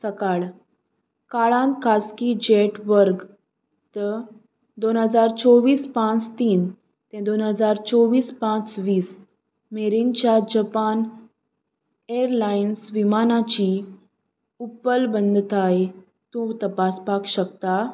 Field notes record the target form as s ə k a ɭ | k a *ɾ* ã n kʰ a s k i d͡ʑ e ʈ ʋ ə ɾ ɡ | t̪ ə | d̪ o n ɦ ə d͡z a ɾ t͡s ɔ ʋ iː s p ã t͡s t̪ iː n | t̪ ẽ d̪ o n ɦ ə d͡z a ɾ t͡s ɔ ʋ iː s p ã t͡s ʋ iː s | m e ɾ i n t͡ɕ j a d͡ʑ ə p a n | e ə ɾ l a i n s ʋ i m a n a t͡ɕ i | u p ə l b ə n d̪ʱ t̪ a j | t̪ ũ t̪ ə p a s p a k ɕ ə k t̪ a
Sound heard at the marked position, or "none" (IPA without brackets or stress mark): ɭ